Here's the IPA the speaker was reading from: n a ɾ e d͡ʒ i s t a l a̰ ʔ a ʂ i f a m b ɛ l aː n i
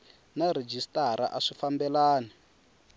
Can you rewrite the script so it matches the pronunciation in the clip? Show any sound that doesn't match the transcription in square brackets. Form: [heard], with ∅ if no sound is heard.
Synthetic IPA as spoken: n a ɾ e d͡ʒ i s t a [ɾ] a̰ ʔ a ʂ i f a m b ɛ l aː n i